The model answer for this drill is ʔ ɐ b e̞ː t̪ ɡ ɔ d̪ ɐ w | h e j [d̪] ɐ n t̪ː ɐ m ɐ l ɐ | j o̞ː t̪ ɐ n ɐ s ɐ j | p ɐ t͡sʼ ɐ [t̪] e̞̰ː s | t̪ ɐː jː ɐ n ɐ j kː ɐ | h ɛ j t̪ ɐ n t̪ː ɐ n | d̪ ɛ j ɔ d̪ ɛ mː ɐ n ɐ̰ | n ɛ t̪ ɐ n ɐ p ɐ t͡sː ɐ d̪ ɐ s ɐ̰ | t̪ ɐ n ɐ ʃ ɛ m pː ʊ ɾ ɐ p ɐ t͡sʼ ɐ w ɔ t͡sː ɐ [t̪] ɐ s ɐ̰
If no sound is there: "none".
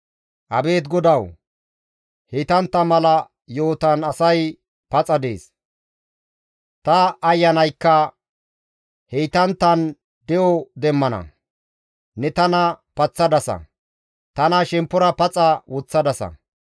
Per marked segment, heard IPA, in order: t̪, d̪, d̪

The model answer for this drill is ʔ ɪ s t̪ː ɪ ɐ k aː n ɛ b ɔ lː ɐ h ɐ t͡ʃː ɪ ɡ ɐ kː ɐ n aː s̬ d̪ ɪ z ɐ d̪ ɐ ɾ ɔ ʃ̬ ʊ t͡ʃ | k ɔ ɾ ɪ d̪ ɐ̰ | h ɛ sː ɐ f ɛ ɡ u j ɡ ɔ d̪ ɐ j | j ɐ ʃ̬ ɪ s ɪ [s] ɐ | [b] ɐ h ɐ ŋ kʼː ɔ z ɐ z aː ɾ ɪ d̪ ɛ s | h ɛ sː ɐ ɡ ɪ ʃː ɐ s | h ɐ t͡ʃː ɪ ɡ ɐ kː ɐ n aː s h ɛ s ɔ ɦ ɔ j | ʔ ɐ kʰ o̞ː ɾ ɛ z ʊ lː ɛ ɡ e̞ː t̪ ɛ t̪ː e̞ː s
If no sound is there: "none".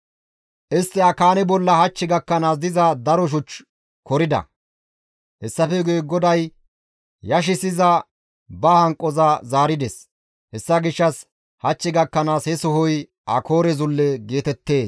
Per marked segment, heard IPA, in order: z, b

